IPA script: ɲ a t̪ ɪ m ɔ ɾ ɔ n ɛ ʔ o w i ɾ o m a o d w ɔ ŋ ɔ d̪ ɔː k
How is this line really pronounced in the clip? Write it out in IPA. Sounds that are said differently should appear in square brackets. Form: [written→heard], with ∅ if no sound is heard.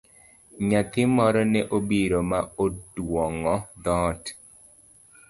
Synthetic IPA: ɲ a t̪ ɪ m ɔ ɾ ɔ n ɛ ʔ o [w→b] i ɾ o m a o d w ɔ ŋ ɔ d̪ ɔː [k→t]

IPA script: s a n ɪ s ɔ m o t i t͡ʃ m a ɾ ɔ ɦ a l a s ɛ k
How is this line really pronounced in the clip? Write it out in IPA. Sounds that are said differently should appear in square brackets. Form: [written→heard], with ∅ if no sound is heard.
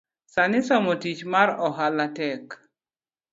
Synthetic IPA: s a n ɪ s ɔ m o t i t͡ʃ m a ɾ ɔ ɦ a l a [s→t] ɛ k

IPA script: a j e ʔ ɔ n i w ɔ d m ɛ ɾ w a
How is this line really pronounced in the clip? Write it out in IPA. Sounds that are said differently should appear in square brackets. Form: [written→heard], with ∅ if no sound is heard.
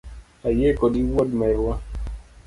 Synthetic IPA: a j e [ʔ→k] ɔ [n→d] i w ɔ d m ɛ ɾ w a

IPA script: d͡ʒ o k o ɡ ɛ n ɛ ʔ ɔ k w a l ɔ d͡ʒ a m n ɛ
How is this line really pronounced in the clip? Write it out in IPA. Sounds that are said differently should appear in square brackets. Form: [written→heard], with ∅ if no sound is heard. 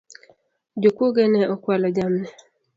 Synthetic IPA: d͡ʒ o k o ɡ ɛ n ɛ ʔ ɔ k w a l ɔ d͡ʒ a m n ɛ

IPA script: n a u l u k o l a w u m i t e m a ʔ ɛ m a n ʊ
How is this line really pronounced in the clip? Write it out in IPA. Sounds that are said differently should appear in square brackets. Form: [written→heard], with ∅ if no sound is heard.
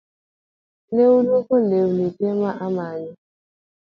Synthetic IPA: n [a→e] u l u k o l [a→e] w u [m→n] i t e m a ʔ [ɛ→a] m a [n→ɲ] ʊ

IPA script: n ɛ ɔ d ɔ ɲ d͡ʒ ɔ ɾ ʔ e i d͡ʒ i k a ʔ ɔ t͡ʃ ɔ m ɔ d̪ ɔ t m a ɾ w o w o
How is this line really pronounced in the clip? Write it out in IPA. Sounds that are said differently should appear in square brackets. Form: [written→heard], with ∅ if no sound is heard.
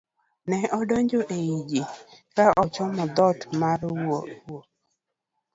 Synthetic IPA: n ɛ ɔ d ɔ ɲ d͡ʒ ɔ [ɾ→∅] ʔ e i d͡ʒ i k a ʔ ɔ t͡ʃ ɔ m ɔ d̪ ɔ t m a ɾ w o w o

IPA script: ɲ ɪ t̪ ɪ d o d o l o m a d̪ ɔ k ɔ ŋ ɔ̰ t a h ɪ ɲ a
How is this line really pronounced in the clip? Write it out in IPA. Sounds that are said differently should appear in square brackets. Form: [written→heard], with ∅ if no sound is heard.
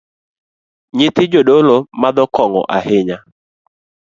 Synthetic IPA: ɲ ɪ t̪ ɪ [d→d͡ʒ] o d o l o m a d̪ ɔ k ɔ ŋ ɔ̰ [t→ʔ] a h ɪ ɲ a

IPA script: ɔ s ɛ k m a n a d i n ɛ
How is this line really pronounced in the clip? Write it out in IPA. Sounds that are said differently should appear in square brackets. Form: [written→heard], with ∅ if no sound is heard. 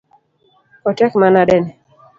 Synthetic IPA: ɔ [s→t] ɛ k m a n a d [i→ɛ] n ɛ

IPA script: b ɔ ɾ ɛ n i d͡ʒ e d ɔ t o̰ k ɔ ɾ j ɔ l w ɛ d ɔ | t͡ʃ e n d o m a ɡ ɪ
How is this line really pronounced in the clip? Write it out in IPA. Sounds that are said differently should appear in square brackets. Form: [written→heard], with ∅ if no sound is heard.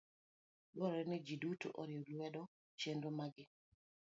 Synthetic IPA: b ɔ ɾ ɛ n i d͡ʒ [e→i] d [ɔ→u] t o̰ [k→ʔ] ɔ ɾ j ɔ l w ɛ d ɔ | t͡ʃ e n d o m a ɡ ɪ

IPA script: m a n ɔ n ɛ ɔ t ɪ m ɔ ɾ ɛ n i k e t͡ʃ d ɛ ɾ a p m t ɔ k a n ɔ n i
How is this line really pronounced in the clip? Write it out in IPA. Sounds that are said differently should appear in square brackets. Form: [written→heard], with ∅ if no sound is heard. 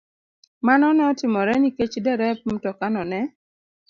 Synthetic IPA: m a n ɔ n ɛ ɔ t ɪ m ɔ ɾ ɛ n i k e t͡ʃ d ɛ ɾ [a→ɛ] p m t ɔ k a n ɔ n [i→ɛ]

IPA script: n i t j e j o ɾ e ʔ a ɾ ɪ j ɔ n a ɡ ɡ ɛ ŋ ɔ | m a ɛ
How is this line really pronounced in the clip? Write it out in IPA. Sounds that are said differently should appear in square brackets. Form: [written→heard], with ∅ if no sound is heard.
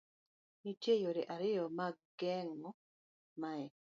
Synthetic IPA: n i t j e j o ɾ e ʔ a ɾ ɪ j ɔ [n→m] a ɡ ɡ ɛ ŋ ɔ | m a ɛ

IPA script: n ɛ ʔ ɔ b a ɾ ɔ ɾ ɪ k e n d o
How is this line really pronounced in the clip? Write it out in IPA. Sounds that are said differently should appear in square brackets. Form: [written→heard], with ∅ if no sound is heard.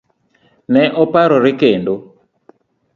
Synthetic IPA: n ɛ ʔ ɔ [b→p] a ɾ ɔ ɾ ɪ k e n d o

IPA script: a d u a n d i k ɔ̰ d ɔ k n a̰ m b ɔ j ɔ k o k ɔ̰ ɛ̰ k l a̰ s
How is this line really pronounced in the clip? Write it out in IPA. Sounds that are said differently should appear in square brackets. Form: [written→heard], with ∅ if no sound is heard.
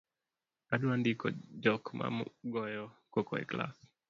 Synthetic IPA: a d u a n d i k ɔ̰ [d→d͡ʒ] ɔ k [n→m] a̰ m [b→ɡ] ɔ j ɔ k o k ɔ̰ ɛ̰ k l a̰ s

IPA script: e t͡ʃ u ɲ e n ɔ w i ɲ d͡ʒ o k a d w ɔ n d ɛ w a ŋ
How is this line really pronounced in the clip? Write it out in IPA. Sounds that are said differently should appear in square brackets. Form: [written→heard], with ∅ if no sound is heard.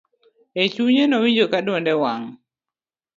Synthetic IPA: e t͡ʃ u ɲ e n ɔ w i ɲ d͡ʒ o k a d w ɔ n d ɛ w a ŋ

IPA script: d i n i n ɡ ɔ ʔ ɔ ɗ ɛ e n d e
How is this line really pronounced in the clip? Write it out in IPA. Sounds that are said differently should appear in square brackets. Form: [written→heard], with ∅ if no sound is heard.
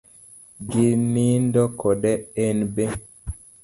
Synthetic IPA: [d→ɡ] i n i n [ɡ→d] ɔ [ʔ→k] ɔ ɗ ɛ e n [d→b] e

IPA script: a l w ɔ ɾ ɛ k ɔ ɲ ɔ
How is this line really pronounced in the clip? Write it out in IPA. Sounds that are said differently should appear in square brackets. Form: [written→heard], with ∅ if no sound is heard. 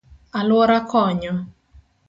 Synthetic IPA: a l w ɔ ɾ [ɛ→a] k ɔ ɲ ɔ

